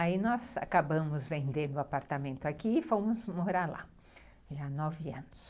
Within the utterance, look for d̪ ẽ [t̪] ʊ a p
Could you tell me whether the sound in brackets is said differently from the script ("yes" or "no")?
yes